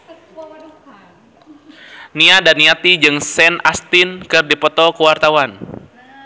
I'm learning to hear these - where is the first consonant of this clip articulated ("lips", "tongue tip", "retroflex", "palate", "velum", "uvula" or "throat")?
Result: tongue tip